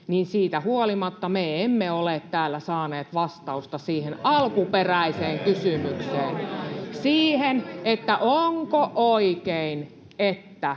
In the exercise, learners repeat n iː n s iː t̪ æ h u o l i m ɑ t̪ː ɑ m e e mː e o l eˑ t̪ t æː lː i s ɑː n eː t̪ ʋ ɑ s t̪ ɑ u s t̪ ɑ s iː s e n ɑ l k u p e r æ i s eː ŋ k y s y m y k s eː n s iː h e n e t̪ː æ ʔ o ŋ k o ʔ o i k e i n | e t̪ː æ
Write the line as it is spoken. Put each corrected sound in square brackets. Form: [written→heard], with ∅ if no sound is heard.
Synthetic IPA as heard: n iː n s iː t̪ æ h u o l i m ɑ t̪ː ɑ m e e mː e o l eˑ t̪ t æː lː [i→æ] s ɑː n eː t̪ ʋ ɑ s t̪ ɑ u s t̪ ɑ s iː [s→h] e n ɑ l k u p e r æ i s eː ŋ k y s y m y k s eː n s iː h e n e t̪ː æ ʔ o ŋ k o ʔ o i k e i n | e t̪ː æ

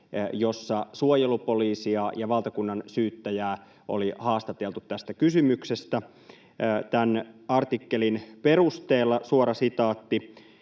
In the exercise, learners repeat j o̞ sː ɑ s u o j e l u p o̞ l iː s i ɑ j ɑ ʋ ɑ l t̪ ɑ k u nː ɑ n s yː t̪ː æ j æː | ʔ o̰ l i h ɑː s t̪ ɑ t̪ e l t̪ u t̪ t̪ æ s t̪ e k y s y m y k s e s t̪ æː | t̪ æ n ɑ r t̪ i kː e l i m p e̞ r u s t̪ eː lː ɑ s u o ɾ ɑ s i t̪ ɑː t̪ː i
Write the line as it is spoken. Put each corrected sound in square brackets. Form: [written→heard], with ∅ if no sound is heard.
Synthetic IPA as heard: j o̞ sː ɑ s u o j e l u p o̞ l iː s i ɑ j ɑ ʋ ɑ l t̪ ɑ k u nː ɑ n s yː t̪ː æ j æː | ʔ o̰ l i h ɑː s t̪ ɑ t̪ e l t̪ u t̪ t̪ æ s t̪ [e→æ] k y s y m y k s e s t̪ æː | t̪ æ n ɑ r t̪ i kː e l i [m→n] p e̞ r u s t̪ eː lː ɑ s u o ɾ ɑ s i t̪ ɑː t̪ː i

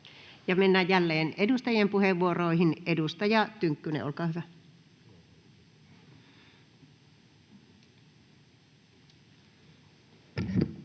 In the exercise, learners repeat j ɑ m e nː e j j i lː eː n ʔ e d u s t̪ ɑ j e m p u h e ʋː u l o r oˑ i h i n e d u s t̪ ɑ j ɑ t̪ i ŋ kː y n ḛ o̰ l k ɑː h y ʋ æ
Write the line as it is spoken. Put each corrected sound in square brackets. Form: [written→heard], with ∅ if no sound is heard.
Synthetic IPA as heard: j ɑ m e nː [e→æ] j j [i→æ] lː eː n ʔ e d u s t̪ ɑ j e m p u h e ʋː u [l→∅] o r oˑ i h i n e d u s t̪ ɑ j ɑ t̪ [i→y] ŋ kː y n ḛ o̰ l k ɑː h y ʋ æ

